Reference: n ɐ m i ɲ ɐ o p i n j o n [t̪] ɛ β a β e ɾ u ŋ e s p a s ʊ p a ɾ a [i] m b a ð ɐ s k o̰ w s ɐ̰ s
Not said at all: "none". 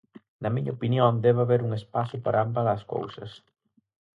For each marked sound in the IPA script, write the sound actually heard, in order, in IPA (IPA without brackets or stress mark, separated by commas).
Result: d̪, a